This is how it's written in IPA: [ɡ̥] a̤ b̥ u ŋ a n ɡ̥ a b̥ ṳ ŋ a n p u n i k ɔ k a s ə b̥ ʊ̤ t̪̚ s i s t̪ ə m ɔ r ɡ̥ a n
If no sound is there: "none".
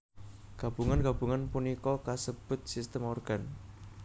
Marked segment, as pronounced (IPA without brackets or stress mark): ɡ̥